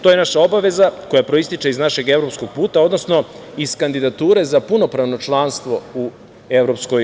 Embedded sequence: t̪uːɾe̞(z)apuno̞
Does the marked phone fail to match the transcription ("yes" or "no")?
no